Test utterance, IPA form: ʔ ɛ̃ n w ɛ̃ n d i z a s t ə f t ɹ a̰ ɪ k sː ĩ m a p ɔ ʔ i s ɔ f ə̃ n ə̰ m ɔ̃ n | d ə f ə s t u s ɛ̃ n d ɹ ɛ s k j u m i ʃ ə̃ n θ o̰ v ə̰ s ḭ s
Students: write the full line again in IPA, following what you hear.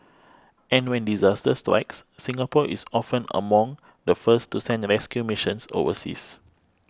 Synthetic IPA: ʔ ɛ̃ n w ɛ̃ n d i z a s t ə s t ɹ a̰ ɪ k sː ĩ ŋ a p ɔ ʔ i s ɔ f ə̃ n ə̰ m ɔ̃ ŋ | d ə f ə s t u s ɛ̃ n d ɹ ɛ s k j u m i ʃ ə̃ n s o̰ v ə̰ s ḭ s

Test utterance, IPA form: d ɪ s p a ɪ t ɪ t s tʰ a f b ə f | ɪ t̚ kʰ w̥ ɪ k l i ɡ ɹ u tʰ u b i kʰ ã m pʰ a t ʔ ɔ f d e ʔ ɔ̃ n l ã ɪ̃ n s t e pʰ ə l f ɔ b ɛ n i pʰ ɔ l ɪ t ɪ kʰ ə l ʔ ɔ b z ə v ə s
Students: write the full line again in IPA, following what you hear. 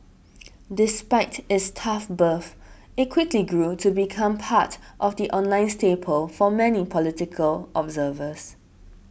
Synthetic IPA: d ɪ s p a ɪ t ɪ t s tʰ a f b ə f | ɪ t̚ kʰ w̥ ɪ k l i ɡ ɹ u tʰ u b i kʰ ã m pʰ a t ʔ ɔ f d i ʔ ɔ̃ n l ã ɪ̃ n s t e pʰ ə l f ɔ m ɛ n i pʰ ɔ l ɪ t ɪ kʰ ə l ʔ ɔ b z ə v ə s

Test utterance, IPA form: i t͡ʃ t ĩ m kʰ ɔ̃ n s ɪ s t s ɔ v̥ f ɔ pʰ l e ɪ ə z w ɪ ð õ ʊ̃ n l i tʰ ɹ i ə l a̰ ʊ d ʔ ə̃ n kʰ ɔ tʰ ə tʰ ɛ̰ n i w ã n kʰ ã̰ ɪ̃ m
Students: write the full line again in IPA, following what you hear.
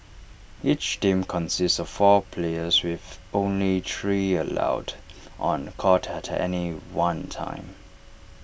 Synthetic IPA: i t͡ʃ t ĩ m kʰ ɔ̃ n s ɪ s t s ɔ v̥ f ɔ pʰ l e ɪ ə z w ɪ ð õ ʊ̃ n l i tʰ ɹ i ə l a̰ ʊ d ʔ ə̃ n kʰ ɔ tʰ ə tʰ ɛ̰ n i w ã n tʰ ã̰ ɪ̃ m

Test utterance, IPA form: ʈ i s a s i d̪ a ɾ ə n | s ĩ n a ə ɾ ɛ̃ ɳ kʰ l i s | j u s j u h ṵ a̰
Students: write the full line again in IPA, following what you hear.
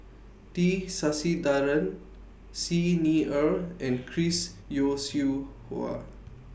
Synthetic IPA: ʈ i s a s i d̪ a ɾ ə n | s i n i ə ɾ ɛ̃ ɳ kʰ ɾ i s | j o s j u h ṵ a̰

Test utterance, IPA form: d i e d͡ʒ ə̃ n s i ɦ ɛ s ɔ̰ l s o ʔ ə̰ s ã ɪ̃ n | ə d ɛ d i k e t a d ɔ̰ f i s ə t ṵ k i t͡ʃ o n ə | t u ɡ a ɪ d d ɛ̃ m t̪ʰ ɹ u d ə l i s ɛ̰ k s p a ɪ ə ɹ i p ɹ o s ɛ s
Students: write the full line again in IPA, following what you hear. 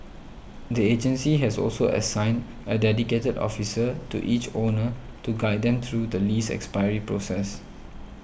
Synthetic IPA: d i e d͡ʒ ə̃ n s i ɦ ɛ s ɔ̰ l s o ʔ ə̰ s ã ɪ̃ n | ə d ɛ d i k e t ə d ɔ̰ f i s ə t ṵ ʔ i t͡ʃ o n ə | t u ɡ a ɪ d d ɛ̃ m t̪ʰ ɹ u d ə l i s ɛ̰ k s p a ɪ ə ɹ i p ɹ o s ɛ s

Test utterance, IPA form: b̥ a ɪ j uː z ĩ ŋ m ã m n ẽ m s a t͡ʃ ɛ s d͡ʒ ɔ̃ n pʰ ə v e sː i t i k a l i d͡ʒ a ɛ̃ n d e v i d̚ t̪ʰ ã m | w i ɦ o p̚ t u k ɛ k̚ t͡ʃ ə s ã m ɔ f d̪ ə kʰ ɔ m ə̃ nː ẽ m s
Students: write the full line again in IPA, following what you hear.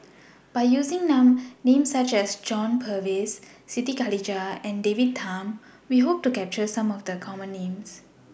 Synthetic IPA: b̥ a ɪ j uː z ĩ ŋ n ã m n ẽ m s a t͡ʃ ɛ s d͡ʒ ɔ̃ n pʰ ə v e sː i t i k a l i d͡ʒ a ɛ̃ n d e v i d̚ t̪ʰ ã m | w i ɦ o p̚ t u k ɛ p̚ t͡ʃ ə s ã m ɔ f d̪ ə kʰ ɔ m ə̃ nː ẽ m s

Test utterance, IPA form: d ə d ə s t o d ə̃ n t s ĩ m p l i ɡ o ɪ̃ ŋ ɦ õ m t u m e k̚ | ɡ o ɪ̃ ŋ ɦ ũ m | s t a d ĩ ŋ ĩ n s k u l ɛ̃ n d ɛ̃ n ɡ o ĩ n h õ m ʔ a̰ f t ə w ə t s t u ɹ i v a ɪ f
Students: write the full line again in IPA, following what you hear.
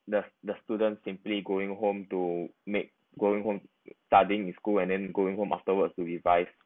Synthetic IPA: d ə d ə s t u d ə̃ n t s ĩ m p l i ɡ o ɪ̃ ŋ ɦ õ m t u m e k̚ | ɡ o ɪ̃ ŋ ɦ õ m | s t a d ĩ ŋ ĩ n s k u l ɛ̃ n d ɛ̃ n ɡ o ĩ ŋ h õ m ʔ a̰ f t ə w ə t s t u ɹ i v a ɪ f

